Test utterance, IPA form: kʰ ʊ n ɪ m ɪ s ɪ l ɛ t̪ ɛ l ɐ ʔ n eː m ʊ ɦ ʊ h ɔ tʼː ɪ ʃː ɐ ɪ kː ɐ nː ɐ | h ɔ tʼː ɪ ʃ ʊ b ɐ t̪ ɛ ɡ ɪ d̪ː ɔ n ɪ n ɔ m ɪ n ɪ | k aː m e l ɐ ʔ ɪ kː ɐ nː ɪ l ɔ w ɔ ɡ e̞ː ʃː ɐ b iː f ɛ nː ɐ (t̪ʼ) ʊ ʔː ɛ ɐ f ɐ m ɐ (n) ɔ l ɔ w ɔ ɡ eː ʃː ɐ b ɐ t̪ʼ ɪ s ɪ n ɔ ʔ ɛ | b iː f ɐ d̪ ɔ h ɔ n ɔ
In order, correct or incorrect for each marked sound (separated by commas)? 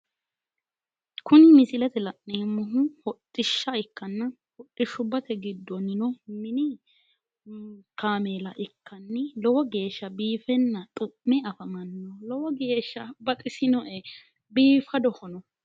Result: correct, incorrect